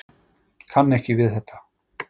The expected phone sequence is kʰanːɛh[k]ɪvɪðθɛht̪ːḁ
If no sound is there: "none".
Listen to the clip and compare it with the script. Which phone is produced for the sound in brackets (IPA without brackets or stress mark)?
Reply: c